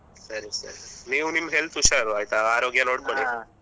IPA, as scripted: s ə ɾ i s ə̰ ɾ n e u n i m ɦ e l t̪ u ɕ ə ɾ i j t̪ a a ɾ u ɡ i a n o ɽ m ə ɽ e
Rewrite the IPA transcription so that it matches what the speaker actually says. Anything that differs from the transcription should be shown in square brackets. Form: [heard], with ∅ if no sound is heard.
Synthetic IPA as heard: s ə ɾ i s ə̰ ɾ n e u n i m ɦ e l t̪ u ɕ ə ɾ [a] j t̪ a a ɾ [o] ɡ [j] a n o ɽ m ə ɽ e